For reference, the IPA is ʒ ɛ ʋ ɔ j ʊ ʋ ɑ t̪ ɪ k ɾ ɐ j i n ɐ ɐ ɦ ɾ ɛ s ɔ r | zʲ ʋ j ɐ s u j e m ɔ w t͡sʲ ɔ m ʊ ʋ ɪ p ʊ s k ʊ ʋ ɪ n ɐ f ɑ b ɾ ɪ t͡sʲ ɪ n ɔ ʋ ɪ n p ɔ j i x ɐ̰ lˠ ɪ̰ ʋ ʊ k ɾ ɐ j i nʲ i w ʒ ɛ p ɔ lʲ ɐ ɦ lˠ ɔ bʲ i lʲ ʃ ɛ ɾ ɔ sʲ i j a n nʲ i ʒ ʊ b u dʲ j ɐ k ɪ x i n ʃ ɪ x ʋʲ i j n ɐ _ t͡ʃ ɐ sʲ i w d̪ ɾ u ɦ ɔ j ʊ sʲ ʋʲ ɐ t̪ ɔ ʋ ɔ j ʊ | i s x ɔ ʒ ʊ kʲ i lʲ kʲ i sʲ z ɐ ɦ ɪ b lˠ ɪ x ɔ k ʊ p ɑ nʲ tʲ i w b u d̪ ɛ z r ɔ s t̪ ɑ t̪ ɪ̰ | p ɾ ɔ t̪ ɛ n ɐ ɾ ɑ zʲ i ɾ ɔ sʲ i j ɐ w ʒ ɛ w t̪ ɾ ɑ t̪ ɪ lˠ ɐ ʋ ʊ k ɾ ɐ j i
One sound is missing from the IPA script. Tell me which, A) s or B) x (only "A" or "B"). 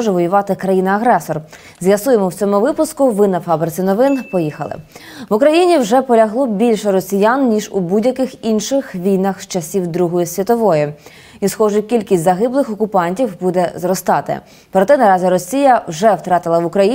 B